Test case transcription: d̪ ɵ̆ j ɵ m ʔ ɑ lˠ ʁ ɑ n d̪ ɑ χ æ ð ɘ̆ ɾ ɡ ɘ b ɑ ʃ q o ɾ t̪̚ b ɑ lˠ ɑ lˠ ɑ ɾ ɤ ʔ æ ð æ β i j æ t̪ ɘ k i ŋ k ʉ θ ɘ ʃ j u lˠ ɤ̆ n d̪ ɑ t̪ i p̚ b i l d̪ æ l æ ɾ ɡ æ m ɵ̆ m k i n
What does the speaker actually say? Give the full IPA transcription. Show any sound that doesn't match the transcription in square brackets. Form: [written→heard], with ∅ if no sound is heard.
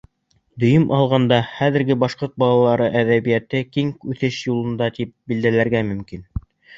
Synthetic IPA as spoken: d̪ ɵ̆ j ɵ m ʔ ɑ lˠ ʁ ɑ n d̪ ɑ χ æ ð ɘ̆ ɾ ɡ ɘ b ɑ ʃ q o ɾ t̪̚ b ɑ lˠ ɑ lˠ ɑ ɾ ɤ ʔ æ ð æ β i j æ t̪ ɘ k i ŋ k ʉ θ ɘ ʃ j u lˠ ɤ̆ n d̪ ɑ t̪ i p̚ b i l d̪ æ l æ ɾ ɡ æ m ɵ̆ m k i n

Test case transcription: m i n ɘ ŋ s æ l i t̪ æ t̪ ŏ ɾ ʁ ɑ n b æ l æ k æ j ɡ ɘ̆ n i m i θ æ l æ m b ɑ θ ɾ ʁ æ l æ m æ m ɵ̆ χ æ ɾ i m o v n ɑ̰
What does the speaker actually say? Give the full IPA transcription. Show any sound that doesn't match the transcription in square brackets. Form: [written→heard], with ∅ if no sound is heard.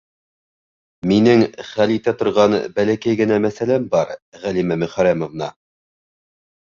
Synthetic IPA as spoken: m i n ɘ ŋ [s→χ] æ l i t̪ æ t̪ ŏ ɾ ʁ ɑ n b æ l æ k æ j ɡ ɘ̆ n [i→æ] m [i→æ] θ æ l æ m b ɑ [θ→∅] ɾ ʁ æ l [æ→i] m æ m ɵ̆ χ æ ɾ [i→æ] m o v n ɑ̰

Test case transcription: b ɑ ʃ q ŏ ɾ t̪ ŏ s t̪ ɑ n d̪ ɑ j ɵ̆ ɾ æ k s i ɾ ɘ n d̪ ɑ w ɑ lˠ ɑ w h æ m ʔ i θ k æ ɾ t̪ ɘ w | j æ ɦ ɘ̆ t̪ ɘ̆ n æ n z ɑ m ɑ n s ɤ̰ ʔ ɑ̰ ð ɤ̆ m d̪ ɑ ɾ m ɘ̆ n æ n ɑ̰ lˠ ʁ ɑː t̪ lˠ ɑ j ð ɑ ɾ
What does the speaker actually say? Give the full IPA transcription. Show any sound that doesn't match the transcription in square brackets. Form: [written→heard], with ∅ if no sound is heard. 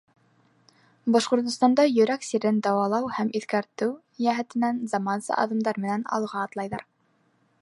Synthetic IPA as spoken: b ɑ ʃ q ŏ ɾ t̪ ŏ s t̪ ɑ n d̪ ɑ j ɵ̆ ɾ æ k s i ɾ ɘ n d̪ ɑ w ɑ lˠ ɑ w h æ m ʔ i θ k æ ɾ t̪ ɘ w | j æ ɦ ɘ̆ t̪ ɘ̆ n æ n z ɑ m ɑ n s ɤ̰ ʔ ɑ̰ ð ɤ̆ m d̪ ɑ ɾ m ɘ̆ n æ n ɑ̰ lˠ ʁ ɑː t̪ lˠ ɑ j ð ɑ ɾ

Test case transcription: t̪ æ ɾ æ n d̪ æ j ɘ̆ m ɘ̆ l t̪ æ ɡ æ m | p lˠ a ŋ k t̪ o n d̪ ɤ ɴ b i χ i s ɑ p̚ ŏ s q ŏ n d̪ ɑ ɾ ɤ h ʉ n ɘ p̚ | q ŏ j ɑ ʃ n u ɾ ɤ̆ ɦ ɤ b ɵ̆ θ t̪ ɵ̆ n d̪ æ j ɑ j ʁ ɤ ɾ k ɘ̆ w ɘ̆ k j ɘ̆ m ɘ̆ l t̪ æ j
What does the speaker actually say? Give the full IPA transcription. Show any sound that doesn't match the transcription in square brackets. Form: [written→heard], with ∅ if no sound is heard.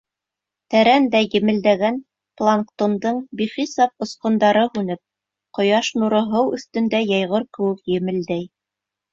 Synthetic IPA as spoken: t̪ æ ɾ æ n d̪ æ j ɘ̆ m ɘ̆ l [t̪→d̪] æ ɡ æ [m→n] | p lˠ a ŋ k t̪ o n d̪ ɤ ɴ b i χ i s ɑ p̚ ŏ s q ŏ n d̪ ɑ ɾ ɤ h ʉ n ɘ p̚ | q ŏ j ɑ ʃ n u ɾ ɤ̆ ɦ ɤ [b→w] ɵ̆ θ t̪ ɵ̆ n d̪ æ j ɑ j ʁ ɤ ɾ k ɘ̆ w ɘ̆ k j ɘ̆ m ɘ̆ l [t̪→d̪] æ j

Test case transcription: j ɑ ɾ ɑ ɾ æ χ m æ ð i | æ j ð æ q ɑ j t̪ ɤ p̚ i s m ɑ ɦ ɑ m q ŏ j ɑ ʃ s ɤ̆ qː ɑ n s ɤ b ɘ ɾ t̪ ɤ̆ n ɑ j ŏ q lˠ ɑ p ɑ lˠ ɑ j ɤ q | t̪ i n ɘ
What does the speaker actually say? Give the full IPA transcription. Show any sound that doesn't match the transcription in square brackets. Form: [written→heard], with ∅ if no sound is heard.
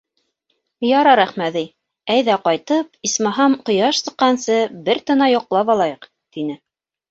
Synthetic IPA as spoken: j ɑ ɾ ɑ ɾ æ χ m æ ð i | æ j ð æ q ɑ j t̪ ɤ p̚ i s m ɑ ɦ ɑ m q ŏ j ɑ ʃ s ɤ̆ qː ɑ n s ɤ b ɘ ɾ t̪ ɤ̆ n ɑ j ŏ q lˠ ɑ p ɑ lˠ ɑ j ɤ q | t̪ i n ɘ

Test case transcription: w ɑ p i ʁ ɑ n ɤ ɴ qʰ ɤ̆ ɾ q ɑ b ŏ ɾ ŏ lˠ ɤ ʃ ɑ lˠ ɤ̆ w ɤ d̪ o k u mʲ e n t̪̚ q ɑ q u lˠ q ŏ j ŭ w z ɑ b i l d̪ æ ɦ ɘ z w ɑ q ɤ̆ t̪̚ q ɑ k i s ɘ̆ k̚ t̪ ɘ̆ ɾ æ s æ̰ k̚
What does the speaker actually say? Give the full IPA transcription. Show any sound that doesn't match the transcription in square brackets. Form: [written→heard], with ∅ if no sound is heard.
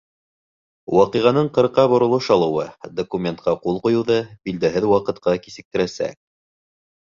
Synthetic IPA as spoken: w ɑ [p→q] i ʁ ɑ n ɤ ɴ [qʰ→q] ɤ̆ ɾ q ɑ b ŏ ɾ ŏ lˠ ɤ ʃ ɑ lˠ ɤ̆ w ɤ d̪ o k u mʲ e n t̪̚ q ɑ q u lˠ q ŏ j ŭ w [z→ð] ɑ b i l d̪ æ ɦ ɘ [z→ð] w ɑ q ɤ̆ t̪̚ q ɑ k i s ɘ̆ k̚ t̪ ɘ̆ ɾ æ s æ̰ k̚

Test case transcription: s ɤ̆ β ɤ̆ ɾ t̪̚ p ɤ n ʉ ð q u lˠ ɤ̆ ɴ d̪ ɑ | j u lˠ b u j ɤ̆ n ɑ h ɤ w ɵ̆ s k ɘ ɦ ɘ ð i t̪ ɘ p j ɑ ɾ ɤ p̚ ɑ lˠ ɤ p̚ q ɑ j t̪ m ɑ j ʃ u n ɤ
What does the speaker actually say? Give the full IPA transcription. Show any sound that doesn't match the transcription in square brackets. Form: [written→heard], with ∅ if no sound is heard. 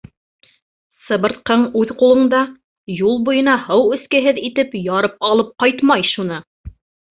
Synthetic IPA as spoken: s ɤ̆ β ɤ̆ ɾ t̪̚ [p→q] ɤ [n→ɴ] ʉ ð q u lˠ ɤ̆ ɴ d̪ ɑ | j u lˠ b u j ɤ̆ n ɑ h ɤ w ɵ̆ s k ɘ ɦ ɘ ð i t̪ ɘ p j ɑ ɾ ɤ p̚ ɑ lˠ ɤ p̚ q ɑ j t̪ m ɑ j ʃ u n ɤ

